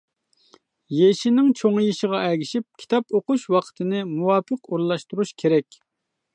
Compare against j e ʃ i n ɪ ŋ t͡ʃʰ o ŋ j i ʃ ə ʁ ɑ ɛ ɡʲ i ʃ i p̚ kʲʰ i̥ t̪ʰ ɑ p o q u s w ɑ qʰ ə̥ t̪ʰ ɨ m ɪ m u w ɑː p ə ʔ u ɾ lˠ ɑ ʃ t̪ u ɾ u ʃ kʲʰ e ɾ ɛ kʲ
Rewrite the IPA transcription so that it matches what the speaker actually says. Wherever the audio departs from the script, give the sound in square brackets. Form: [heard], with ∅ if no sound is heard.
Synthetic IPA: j e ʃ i n ɪ ŋ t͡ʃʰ o ŋ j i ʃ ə ʁ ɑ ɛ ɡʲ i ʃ i p̚ kʲʰ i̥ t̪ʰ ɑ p o q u [ʃ] w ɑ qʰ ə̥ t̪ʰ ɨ [n] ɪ m u w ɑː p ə [q] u ɾ lˠ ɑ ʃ t̪ u ɾ u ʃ kʲʰ e ɾ ɛ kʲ